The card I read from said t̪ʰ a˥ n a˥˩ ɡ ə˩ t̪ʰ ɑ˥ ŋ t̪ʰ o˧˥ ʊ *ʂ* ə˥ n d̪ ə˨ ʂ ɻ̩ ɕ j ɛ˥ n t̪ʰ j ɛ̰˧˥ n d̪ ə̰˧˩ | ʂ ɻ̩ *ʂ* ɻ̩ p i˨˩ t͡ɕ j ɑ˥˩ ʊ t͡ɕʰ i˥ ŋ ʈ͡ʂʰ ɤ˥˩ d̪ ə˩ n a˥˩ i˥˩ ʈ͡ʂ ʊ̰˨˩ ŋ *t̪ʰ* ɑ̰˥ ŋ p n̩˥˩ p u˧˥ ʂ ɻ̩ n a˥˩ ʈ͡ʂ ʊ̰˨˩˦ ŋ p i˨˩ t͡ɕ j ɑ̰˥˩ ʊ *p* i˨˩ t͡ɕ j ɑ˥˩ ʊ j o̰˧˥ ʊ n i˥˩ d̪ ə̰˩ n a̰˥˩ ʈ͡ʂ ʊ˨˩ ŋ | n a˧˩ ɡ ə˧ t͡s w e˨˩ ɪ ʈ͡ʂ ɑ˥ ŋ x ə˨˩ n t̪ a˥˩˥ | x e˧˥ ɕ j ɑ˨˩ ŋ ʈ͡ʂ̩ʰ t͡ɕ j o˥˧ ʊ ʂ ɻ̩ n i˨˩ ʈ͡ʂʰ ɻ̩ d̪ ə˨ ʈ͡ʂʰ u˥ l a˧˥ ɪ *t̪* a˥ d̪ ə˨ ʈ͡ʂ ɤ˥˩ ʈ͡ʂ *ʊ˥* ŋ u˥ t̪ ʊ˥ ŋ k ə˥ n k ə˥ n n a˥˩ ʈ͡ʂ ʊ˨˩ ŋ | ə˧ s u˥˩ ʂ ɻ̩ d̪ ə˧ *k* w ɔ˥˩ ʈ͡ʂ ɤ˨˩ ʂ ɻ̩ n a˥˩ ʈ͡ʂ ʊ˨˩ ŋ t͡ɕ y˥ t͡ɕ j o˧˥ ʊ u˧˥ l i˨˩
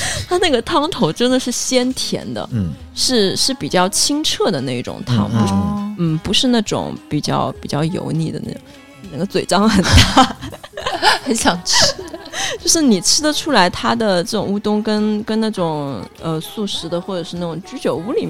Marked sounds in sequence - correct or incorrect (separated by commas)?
incorrect, correct, correct, correct, incorrect, incorrect, incorrect